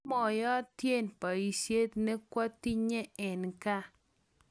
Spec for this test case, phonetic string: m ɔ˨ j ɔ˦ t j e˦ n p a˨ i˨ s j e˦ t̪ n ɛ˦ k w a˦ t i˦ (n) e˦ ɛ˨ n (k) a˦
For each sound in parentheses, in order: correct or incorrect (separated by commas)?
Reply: incorrect, correct